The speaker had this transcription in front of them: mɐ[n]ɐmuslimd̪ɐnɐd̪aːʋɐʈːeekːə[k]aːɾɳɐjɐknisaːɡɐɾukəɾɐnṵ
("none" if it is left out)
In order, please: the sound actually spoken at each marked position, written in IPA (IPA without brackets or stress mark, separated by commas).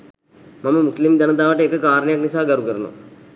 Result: m, k